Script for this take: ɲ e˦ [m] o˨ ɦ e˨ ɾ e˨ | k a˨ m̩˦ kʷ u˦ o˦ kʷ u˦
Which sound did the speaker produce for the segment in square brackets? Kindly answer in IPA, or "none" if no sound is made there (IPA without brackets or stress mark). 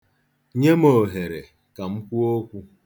m